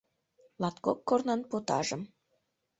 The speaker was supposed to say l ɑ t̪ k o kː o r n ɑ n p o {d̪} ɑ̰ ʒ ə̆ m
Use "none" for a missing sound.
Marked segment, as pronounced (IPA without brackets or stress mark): t̪